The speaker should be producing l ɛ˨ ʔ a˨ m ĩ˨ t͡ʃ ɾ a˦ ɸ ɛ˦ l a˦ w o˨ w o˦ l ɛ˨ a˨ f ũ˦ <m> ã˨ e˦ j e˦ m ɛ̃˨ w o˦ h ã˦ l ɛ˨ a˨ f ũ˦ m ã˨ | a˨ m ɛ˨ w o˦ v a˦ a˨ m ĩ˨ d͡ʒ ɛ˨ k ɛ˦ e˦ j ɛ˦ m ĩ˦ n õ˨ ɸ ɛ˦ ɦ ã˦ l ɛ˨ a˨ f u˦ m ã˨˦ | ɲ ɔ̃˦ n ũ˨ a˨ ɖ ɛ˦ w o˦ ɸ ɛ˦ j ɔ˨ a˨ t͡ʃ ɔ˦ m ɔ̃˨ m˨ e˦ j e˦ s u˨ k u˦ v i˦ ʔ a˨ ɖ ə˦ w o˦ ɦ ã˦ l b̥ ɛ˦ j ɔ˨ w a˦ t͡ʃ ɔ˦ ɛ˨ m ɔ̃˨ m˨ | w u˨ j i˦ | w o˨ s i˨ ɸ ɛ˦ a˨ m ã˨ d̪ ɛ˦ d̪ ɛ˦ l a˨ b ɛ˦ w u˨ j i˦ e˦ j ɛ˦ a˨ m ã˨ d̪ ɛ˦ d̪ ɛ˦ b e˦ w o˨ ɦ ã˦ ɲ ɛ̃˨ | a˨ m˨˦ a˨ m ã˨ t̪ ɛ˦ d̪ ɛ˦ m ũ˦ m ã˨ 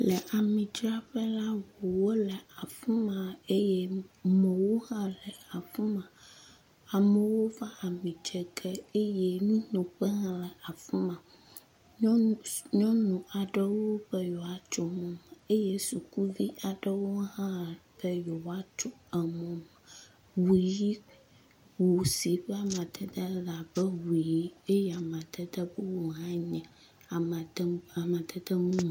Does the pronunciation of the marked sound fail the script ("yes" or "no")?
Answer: no